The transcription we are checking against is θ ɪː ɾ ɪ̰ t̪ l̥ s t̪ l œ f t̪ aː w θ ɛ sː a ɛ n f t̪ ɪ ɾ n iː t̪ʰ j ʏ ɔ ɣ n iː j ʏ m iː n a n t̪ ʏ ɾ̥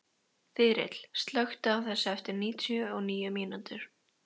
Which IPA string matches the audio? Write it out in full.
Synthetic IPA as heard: θ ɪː ɾ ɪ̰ t̪ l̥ s t̪ l œ x t̪ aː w θ ɛ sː a ɛ f t̪ ɪ ɾ n iː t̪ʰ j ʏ ɔ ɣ n iː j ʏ m iː n a n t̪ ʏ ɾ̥